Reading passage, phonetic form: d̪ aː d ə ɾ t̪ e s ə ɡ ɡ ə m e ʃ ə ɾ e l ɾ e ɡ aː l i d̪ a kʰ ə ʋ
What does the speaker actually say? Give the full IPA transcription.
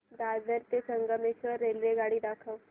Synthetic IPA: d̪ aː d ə ɾ t̪ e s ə ŋ ɡ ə m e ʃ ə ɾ e l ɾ e ɡ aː ɽ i d̪ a kʰ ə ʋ